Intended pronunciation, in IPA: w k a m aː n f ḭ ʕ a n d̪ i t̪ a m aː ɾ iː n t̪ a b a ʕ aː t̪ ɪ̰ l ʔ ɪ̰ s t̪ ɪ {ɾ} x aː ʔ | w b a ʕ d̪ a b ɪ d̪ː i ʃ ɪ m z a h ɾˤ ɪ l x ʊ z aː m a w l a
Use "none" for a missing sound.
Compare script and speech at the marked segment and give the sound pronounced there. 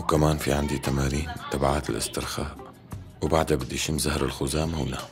ɾ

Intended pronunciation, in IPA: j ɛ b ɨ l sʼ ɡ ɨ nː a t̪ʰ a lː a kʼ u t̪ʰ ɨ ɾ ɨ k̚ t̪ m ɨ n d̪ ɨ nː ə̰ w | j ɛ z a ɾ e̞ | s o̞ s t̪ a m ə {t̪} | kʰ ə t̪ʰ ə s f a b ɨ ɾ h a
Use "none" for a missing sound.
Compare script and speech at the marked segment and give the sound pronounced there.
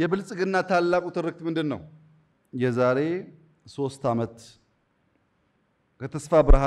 t̪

